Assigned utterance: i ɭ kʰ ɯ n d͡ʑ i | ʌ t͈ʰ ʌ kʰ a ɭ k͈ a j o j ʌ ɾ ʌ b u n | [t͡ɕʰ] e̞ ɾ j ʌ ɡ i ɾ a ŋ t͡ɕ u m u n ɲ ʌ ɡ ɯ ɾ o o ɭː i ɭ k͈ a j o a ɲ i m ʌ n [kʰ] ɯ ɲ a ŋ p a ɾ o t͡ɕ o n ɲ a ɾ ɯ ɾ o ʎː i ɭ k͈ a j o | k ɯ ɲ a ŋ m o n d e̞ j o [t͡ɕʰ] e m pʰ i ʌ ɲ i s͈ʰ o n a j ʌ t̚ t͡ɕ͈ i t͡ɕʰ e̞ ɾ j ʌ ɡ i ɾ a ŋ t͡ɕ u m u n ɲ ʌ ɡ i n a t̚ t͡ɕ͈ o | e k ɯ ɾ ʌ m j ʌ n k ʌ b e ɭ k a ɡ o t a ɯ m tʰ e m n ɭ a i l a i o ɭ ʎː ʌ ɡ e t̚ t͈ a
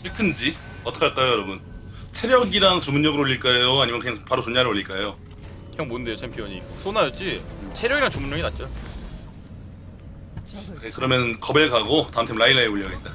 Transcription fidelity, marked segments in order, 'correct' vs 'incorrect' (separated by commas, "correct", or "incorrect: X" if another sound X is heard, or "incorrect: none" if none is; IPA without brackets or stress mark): correct, incorrect: k, correct